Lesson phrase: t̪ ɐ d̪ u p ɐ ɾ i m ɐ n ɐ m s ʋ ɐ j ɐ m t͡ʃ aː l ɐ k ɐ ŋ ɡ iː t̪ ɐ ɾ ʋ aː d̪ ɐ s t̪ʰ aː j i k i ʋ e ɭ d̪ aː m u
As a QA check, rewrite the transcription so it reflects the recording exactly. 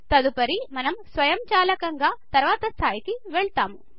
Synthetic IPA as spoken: t̪ ɐ d̪ u p ɐ ɾ i m ɐ n ɐ m s ʋ ɐ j ɐ m t͡ʃ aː l ɐ k ɐ ŋ ɡ aː t̪ ɐ ɾ ʋ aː t̪ ɐ s t̪ʰ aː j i k i ʋ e ɭ t̪ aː m u